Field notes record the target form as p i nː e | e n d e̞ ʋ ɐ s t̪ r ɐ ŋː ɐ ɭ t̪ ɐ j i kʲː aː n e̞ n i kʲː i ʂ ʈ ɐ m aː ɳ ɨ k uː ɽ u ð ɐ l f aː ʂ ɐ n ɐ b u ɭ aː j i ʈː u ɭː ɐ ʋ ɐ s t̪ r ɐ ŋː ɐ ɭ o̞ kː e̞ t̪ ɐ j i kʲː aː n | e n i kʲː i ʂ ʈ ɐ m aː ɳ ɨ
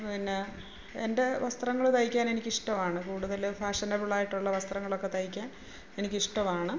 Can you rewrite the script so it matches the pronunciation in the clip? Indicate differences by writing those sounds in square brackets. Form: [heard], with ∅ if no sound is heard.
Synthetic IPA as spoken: p i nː e | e n d e̞ ʋ ɐ s t̪ r ɐ ŋː ɐ ɭ t̪ ɐ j i kʲː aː n e̞ n i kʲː i ʂ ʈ ɐ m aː ɳ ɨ k uː ɽ u ð ɐ l f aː ʂ ɐ n ɐ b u ɭ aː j i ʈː u ɭː ɐ ʋ ɐ s t̪ r ɐ ŋː ɐ ɭ o̞ kː e̞ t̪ ɐ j i kʲː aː n | e n i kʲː i ʂ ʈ ɐ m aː ɳ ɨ